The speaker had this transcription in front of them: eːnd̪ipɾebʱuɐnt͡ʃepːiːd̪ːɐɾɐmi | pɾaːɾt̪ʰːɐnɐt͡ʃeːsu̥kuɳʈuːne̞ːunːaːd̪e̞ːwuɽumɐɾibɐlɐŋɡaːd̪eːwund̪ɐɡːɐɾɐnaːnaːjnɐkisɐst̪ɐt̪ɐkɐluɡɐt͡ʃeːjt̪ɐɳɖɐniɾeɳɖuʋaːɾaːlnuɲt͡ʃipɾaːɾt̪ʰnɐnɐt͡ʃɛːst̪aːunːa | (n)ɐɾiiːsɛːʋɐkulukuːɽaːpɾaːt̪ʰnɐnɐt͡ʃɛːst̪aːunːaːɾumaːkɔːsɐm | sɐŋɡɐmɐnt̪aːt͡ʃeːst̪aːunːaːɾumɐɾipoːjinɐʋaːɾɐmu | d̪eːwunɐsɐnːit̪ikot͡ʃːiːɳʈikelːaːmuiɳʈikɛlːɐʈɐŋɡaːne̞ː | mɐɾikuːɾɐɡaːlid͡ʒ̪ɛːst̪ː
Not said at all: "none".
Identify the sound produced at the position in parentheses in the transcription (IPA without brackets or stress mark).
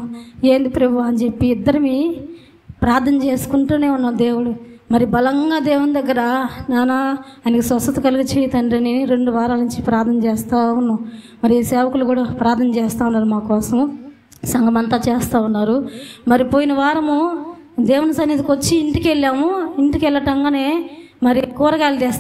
m